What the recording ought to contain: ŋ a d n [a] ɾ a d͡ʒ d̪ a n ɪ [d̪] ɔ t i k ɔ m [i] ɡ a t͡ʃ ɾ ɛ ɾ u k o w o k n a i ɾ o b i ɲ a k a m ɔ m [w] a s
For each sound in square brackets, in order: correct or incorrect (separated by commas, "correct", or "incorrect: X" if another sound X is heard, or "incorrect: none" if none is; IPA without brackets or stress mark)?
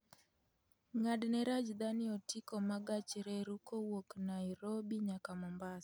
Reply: incorrect: ɛ, incorrect: none, incorrect: a, incorrect: b